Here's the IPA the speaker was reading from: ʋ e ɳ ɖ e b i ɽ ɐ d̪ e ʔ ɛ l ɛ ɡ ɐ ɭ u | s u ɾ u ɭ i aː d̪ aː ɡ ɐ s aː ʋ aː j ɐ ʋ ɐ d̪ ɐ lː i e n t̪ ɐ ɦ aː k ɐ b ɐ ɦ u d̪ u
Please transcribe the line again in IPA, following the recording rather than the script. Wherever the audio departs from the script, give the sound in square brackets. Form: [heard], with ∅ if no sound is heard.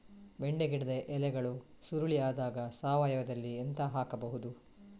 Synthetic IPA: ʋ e ɳ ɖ e [ɡ] i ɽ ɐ d̪ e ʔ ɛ l ɛ ɡ ɐ ɭ u | s u ɾ u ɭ i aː d̪ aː ɡ ɐ s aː ʋ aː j ɐ ʋ ɐ d̪ ɐ lː i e n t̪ ɐ ɦ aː k ɐ b ɐ ɦ u d̪ u